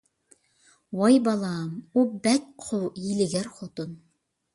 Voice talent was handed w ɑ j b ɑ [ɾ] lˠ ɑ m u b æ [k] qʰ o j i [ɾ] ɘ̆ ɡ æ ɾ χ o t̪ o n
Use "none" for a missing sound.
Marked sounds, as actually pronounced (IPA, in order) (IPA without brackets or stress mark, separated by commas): none, k, l